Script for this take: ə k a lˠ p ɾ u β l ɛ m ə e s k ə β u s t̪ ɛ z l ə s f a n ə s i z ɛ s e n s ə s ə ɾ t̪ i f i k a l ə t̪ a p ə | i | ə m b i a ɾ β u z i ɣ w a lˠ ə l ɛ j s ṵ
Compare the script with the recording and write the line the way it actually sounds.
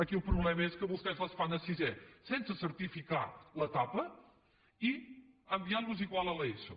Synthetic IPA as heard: ə k i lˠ p ɾ u β l ɛ m ə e s k ə β u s t̪ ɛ z l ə s f a n ə s i z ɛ s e n s ə s ə ɾ t̪ i f i k a l ə t̪ a p ə | i | ə m b i a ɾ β u z i ɣ w a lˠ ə l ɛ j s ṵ